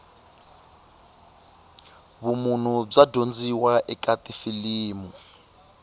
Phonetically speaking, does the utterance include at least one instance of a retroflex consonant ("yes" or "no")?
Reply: yes